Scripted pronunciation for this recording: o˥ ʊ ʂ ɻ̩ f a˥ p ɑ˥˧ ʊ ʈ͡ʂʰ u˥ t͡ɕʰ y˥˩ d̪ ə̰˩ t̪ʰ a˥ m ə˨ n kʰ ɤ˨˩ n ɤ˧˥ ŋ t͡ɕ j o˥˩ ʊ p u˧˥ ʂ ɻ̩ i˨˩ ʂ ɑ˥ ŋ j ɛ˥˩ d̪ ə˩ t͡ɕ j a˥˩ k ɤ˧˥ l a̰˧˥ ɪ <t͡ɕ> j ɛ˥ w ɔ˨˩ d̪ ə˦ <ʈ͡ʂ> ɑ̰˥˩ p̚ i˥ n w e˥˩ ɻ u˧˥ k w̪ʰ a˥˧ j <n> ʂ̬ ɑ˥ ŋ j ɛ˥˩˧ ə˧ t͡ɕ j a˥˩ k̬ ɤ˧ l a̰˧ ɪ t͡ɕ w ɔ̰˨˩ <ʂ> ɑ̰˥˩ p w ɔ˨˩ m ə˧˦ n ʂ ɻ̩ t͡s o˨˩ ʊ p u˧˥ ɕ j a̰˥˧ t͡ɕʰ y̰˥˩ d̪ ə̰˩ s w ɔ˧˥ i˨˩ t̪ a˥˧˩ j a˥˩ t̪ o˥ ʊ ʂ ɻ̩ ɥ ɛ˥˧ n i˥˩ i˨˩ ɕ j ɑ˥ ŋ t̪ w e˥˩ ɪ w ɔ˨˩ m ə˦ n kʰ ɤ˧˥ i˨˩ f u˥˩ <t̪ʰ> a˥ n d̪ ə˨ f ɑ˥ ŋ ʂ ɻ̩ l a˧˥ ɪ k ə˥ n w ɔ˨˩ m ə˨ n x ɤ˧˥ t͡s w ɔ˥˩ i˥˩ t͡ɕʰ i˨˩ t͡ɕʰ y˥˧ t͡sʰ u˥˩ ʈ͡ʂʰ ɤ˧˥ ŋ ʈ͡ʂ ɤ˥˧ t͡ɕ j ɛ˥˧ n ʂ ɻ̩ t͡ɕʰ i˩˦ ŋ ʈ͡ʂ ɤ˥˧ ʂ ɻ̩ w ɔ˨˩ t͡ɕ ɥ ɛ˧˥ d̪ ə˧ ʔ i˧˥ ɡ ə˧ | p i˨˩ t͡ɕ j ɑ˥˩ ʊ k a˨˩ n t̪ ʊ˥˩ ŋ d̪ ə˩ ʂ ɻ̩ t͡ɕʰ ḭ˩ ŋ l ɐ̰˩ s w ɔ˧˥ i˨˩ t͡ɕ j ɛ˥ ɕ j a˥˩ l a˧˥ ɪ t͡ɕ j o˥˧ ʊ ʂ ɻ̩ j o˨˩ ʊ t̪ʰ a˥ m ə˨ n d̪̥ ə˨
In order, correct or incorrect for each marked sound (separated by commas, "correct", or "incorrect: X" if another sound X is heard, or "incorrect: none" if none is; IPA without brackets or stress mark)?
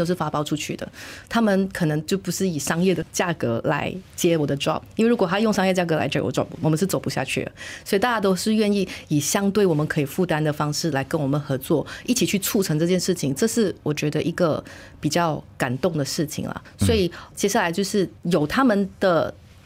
correct, correct, incorrect: ŋ, incorrect: ʈ͡ʂ, incorrect: t̪